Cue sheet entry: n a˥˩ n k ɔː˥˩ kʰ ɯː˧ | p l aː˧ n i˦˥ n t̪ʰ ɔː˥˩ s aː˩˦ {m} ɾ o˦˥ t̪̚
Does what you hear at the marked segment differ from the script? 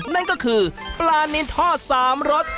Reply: no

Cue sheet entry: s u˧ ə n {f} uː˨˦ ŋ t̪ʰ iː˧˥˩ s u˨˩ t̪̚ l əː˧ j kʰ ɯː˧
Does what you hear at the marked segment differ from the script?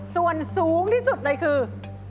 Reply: yes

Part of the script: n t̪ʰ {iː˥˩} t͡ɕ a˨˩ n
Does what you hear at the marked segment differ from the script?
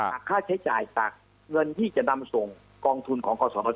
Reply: no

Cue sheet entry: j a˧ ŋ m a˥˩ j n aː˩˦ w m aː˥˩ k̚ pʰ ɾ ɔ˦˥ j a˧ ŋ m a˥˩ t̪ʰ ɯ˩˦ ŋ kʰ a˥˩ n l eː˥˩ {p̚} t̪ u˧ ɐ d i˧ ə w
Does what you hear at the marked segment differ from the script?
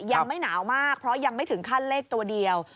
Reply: yes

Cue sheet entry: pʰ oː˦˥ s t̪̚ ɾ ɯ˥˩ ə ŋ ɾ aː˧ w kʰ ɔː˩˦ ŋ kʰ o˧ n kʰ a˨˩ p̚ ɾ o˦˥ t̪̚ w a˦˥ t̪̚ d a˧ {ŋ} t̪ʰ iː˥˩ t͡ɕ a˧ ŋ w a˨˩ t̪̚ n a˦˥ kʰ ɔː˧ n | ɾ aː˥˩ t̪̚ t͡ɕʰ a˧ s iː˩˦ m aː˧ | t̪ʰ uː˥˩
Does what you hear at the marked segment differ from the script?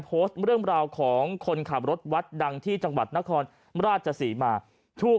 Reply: no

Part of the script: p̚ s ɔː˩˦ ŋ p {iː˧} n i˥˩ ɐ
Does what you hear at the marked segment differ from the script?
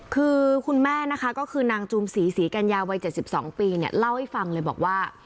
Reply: no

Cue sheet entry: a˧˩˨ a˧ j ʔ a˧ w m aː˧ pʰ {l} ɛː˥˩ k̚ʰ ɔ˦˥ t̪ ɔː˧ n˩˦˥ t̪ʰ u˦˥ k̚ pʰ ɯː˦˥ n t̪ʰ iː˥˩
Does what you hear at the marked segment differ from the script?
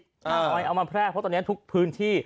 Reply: yes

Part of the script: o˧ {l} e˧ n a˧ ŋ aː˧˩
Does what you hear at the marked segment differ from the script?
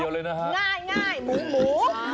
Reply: no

